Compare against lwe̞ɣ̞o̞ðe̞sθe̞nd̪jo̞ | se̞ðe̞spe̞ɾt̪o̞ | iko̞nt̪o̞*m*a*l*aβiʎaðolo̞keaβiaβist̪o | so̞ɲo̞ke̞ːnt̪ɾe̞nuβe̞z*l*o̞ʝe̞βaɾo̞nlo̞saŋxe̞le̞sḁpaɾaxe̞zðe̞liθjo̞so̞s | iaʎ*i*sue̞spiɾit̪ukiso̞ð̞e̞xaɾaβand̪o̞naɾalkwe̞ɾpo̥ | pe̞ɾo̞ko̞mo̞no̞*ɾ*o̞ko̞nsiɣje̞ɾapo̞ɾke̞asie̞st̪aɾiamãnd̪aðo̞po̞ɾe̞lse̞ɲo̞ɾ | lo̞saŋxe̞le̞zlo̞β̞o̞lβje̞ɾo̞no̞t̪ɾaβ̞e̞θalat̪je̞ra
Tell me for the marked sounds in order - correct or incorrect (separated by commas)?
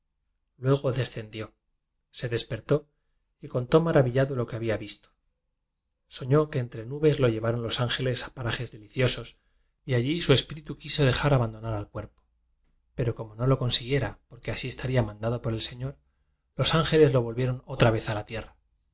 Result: correct, incorrect, correct, correct, incorrect